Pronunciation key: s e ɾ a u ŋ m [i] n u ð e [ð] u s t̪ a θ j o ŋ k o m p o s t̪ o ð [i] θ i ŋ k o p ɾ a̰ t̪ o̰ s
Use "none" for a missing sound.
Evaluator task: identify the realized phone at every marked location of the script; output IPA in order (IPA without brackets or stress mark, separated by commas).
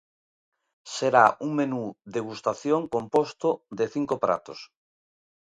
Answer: e, ɣ, e